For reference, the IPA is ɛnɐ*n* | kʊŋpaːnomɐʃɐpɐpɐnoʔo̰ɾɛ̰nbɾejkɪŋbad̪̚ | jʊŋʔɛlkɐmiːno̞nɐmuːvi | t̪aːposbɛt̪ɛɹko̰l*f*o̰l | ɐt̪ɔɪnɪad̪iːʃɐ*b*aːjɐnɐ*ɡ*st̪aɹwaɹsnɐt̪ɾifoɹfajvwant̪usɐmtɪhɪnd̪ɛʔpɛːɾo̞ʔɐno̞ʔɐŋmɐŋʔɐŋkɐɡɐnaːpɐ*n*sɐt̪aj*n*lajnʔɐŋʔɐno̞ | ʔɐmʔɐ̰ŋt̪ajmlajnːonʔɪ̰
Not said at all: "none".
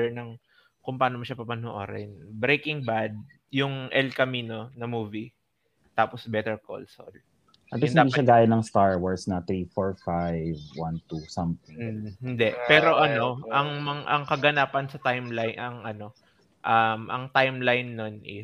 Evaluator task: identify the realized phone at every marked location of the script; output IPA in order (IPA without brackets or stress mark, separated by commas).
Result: ŋ, s, ɡ, ŋ, n, m